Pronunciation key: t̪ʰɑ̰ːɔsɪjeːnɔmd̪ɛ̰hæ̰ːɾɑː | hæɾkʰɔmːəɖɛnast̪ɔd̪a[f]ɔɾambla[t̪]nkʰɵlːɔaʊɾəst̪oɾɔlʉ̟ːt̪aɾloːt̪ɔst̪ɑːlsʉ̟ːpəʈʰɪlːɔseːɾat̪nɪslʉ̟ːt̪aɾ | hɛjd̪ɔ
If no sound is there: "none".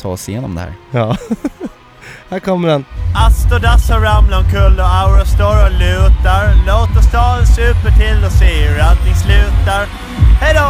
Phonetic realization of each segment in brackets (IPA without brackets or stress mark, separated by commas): s, none